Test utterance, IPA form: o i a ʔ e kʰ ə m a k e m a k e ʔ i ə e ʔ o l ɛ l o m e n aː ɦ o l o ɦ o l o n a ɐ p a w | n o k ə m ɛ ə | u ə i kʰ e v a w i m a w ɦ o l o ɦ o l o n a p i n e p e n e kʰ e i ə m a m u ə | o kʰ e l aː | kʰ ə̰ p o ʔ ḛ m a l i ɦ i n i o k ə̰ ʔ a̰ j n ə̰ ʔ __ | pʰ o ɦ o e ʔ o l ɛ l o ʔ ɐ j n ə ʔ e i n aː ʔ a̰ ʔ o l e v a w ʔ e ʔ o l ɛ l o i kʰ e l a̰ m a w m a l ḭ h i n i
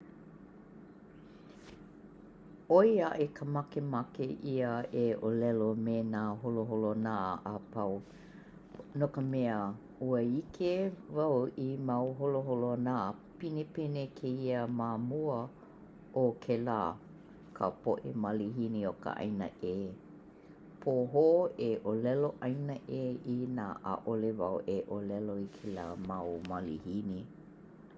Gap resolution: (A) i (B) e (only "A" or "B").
B